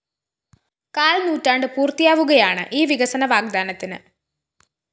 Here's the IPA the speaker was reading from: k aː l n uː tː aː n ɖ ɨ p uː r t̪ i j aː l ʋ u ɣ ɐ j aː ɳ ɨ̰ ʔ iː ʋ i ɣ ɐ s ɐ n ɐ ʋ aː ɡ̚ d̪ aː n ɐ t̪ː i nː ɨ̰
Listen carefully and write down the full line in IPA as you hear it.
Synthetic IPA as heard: k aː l n uː tː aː ɳ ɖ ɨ p uː r t̪ i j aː ʋ u ɣ ɐ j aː ɳ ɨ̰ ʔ iː ʋ i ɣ ɐ s ɐ n ɐ ʋ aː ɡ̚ d̪ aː n ɐ t̪ː i n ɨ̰